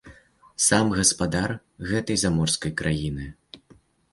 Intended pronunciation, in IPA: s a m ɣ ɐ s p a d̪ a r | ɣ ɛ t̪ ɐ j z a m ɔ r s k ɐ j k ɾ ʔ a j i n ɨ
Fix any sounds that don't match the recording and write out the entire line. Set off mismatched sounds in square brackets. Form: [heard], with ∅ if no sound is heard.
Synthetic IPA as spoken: s a m ɣ ɐ s p a d̪ a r | ɣ ɛ t̪ ɐ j z a m ɔ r s k ɐ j k ɾ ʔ a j i n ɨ